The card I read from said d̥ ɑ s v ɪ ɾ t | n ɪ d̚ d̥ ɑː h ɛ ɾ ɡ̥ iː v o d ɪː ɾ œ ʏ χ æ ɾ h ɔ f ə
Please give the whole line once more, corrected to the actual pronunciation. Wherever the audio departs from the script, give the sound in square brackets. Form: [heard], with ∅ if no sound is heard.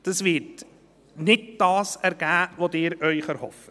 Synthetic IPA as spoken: d̥ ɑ s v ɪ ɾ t | n ɪ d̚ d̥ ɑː [s] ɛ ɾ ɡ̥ [æː] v o d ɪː ɾ œ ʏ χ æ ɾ h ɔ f ə